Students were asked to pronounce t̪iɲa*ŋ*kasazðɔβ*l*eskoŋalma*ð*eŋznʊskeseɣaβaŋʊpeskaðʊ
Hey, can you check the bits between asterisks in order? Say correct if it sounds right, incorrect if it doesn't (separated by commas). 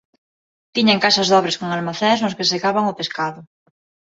correct, incorrect, incorrect